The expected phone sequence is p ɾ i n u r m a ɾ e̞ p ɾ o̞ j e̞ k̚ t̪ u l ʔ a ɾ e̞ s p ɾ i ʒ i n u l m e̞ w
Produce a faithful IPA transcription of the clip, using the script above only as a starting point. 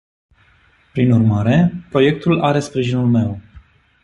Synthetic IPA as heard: p ɾ i n u r m a ɾ e̞ p ɾ o̞ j e̞ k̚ t̪ u l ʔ a ɾ e̞ s p ɾ i ʒ i n u l m e̞ w